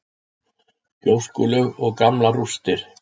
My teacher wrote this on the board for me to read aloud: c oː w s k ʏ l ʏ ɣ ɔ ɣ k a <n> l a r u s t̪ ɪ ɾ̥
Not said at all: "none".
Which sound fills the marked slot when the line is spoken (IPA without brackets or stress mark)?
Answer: m